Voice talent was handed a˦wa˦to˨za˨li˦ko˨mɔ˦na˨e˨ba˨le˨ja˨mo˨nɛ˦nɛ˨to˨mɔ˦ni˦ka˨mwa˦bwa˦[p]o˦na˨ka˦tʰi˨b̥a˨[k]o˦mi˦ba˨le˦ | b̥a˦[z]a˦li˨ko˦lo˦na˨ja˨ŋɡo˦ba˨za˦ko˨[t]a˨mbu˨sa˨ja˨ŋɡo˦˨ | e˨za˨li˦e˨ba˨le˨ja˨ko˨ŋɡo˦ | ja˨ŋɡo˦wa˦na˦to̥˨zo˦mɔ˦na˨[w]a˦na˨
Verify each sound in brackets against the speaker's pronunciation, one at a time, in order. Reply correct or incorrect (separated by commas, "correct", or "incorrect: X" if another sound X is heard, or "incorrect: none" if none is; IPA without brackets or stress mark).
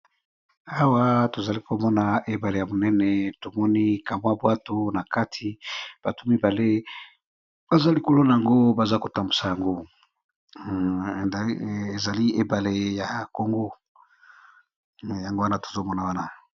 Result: incorrect: t, incorrect: t, correct, correct, correct